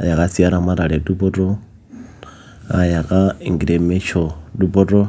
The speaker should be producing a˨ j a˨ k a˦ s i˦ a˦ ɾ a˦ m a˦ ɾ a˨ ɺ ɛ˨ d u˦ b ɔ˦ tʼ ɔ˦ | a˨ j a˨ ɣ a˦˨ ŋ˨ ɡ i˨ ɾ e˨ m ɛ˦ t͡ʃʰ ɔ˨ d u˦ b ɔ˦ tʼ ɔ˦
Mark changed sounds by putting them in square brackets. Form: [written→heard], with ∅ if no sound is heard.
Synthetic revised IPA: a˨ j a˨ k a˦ s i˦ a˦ ɾ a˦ m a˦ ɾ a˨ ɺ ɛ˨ d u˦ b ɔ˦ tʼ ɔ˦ | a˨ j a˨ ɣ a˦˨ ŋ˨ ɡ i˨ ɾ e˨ m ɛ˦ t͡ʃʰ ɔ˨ d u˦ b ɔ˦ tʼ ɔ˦

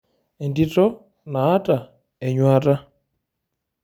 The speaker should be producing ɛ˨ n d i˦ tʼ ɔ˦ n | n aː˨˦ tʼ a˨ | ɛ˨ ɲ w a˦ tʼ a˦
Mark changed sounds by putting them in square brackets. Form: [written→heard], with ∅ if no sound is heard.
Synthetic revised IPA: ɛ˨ n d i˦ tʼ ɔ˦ [n→∅] | n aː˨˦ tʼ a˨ | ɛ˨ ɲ w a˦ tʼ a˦

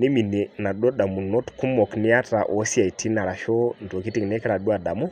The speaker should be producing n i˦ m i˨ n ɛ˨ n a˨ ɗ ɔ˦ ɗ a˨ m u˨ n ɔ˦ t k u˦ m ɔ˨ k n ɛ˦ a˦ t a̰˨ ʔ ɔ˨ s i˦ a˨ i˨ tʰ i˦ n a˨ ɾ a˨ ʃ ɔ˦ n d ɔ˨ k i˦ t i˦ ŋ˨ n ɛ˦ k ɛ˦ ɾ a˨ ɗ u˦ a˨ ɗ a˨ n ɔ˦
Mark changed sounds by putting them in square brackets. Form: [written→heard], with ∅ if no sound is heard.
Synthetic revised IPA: n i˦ m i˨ n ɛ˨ n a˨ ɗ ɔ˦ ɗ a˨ m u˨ n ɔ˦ t k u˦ m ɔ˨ k n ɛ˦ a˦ t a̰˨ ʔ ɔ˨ s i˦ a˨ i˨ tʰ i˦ n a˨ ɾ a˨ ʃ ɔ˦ n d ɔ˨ k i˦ t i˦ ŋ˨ n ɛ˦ k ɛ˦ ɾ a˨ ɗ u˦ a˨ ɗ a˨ [n→m] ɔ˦

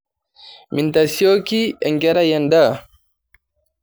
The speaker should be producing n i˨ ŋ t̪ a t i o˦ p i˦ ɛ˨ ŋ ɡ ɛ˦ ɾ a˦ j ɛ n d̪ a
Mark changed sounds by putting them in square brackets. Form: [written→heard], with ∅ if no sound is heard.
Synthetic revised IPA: [n→m] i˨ [ŋ→n] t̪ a [t→s] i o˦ [p→k] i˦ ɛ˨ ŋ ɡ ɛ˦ ɾ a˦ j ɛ n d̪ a

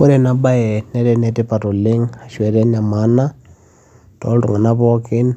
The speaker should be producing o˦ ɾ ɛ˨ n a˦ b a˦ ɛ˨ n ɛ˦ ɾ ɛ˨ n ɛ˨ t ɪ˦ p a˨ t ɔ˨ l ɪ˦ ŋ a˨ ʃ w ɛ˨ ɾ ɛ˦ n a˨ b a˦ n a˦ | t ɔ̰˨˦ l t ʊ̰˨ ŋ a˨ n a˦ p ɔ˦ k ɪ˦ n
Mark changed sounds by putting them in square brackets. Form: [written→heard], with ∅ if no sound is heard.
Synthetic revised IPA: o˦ ɾ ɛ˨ n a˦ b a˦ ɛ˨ n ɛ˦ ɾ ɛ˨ n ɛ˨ t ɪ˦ p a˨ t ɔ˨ l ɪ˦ ŋ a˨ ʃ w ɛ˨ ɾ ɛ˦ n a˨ [b→m] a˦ n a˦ | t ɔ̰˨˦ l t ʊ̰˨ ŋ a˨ n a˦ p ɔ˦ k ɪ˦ n

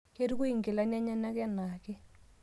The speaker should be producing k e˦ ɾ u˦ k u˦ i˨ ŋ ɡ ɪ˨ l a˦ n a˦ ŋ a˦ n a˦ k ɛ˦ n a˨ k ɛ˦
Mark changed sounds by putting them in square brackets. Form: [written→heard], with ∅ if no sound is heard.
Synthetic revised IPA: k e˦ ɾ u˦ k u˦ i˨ ŋ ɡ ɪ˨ l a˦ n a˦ [ŋ→ɲ] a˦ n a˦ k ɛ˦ n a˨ k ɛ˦

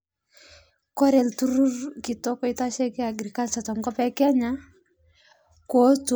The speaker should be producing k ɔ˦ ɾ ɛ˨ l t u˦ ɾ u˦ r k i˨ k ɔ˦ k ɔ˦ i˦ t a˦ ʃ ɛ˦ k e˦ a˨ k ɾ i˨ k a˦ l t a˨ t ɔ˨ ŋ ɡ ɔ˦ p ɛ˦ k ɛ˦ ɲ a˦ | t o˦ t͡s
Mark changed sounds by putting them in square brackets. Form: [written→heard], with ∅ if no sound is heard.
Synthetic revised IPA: k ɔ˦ ɾ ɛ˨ l t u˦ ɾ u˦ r k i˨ [k→t] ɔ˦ k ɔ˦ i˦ t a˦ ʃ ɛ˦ k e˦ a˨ [k→ɡ] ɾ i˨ k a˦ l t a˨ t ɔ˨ ŋ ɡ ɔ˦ p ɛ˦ k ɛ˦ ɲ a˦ | [t→k] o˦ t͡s

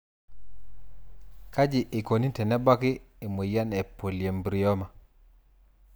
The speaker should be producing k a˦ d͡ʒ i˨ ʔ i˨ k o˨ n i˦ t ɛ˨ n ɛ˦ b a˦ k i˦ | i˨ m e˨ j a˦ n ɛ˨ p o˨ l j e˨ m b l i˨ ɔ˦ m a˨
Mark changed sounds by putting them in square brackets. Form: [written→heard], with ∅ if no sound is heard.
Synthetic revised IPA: k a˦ d͡ʒ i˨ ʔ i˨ k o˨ n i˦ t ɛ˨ n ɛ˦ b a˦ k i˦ | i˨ m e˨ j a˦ n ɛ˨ p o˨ l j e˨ m b [l→ɾ] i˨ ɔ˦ m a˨

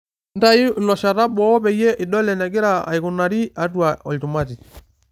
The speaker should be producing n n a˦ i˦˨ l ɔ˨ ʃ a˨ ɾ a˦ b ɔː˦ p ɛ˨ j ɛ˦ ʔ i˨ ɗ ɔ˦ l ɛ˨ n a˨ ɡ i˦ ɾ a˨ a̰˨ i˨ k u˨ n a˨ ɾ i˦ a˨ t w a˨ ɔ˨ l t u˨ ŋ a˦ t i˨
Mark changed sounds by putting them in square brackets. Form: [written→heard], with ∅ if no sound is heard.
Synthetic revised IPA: n [n→d] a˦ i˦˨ l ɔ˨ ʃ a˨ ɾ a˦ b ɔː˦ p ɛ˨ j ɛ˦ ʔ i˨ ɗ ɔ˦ l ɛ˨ n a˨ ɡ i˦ ɾ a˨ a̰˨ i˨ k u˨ n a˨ ɾ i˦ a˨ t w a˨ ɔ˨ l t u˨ [ŋ→m] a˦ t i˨

